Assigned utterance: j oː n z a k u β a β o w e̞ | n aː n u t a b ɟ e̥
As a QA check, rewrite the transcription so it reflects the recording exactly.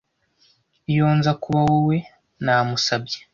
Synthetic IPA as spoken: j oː n z a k u β a w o w e̞ | n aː m u s a b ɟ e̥